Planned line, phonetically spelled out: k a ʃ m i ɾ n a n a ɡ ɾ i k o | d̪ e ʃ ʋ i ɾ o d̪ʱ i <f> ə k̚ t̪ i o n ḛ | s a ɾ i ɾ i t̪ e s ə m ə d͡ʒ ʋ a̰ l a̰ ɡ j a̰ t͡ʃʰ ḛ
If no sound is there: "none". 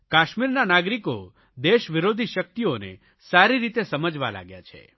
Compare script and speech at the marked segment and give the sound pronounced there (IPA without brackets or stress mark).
ʃ